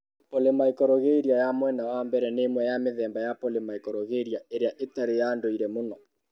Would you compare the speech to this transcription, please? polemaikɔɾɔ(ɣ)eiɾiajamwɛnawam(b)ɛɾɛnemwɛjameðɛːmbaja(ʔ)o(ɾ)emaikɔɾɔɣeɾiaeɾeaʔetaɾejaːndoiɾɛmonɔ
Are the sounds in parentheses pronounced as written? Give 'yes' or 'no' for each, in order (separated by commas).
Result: yes, yes, no, no